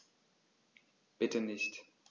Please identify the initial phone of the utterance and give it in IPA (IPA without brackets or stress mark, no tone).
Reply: b̥